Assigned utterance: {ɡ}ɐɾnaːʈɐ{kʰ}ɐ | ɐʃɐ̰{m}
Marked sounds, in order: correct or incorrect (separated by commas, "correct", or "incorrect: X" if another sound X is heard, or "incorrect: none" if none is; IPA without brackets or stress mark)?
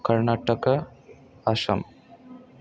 incorrect: k, incorrect: k, correct